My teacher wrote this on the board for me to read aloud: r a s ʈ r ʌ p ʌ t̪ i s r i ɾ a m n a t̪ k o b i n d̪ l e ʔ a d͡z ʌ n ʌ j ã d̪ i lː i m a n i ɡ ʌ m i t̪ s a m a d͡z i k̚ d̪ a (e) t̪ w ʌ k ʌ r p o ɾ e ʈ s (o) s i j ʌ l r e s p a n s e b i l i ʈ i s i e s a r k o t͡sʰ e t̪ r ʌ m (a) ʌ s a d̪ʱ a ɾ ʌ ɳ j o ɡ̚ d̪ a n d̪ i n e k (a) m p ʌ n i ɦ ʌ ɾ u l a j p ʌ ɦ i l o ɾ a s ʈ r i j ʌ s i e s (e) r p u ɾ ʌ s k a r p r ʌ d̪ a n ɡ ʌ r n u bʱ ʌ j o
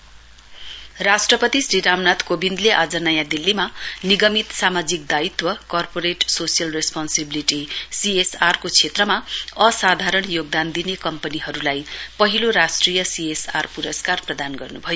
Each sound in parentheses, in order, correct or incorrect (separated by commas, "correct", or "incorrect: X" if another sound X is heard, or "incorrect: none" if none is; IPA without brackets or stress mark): incorrect: i, correct, correct, incorrect: ʌ, incorrect: a